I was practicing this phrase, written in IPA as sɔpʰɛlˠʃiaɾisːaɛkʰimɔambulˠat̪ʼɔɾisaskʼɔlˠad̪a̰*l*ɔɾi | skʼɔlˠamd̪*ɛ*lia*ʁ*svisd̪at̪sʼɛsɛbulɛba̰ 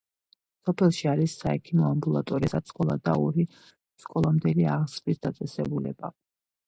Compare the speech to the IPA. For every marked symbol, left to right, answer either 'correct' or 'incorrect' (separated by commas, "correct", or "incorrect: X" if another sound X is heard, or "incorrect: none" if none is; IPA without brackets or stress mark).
incorrect: none, correct, correct